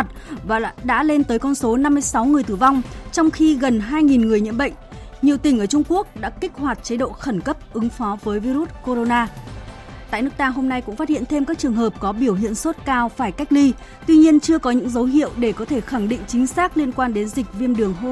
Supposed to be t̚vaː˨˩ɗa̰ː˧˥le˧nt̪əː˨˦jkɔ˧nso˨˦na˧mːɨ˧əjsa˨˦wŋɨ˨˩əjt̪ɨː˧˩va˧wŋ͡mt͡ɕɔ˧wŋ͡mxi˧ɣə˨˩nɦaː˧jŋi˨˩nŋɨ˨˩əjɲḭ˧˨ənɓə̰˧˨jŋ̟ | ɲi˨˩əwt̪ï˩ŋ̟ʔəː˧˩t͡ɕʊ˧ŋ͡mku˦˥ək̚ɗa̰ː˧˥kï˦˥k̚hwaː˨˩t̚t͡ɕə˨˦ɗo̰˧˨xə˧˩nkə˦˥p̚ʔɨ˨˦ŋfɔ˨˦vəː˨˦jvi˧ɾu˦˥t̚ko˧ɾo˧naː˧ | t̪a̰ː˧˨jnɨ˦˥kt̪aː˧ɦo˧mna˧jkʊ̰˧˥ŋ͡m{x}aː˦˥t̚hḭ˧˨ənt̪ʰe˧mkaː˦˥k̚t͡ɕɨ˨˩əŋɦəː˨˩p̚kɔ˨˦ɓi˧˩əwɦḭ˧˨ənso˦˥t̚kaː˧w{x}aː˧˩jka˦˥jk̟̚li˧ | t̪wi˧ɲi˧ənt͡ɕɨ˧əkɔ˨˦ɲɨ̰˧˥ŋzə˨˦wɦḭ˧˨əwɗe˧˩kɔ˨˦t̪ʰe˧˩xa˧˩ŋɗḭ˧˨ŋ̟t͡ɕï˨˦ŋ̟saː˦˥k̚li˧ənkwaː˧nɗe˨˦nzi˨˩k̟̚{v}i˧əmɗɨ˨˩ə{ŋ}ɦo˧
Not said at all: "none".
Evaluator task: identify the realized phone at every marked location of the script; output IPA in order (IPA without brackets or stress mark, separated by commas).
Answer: f, f, v, ŋ